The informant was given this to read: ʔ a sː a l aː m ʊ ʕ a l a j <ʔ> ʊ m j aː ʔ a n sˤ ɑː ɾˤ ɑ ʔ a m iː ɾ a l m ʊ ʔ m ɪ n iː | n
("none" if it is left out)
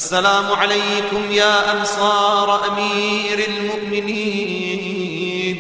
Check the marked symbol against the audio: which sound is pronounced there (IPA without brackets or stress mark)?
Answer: k